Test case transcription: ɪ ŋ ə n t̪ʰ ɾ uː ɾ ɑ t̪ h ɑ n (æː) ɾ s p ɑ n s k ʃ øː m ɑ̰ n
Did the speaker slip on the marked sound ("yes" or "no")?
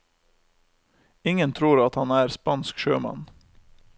no